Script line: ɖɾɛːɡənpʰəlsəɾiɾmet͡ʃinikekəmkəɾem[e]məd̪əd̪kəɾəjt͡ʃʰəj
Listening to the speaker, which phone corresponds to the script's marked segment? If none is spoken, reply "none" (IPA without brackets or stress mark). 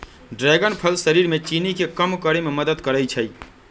e